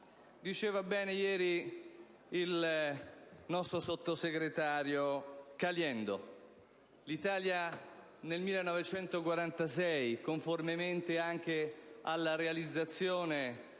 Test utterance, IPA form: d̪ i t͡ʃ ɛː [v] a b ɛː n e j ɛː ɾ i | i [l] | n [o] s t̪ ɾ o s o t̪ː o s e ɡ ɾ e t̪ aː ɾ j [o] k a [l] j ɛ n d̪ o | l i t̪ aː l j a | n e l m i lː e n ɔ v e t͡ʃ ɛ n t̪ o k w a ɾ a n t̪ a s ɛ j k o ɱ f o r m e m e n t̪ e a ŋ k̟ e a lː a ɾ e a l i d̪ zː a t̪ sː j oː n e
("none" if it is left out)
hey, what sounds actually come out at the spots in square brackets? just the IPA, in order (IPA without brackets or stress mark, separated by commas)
v, l, ɔ, o, l